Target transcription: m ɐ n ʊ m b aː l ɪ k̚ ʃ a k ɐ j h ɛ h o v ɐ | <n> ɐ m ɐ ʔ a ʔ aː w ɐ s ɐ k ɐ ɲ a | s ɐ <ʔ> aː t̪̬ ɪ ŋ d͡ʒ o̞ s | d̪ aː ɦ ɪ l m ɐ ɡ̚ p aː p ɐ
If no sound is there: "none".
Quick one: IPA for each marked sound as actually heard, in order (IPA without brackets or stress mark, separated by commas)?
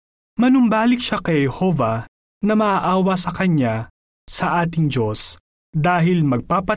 n, ʔ